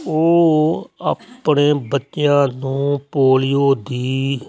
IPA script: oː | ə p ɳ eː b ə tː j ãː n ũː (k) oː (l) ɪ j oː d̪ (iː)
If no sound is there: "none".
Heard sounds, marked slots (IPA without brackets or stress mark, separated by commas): p, l, iː